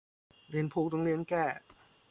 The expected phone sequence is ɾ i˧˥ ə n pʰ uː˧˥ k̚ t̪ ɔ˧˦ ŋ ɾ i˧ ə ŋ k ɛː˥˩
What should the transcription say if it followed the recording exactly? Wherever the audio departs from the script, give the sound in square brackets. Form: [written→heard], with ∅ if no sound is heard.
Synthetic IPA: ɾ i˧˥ ə n pʰ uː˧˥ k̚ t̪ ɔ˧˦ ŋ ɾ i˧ ə [ŋ→n] k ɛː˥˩